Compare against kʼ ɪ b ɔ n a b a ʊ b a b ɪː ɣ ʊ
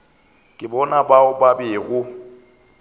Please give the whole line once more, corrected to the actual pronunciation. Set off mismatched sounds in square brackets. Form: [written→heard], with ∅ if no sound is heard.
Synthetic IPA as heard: kʼ ɪ b ɔ n a b a ʊ b a b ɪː ɣ ʊ